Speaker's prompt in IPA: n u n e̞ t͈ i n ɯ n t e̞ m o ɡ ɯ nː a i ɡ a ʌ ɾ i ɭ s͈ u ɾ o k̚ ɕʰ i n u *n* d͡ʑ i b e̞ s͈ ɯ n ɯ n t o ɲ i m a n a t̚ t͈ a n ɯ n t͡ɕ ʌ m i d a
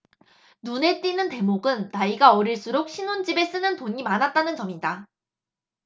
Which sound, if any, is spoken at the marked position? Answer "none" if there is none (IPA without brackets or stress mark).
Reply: n